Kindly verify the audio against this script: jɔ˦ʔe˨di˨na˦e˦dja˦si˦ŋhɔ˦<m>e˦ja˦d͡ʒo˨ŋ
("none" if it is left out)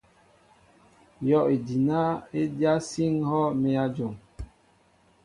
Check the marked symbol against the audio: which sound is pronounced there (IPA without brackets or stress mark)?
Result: m